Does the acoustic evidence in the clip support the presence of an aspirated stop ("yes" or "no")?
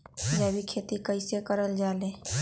yes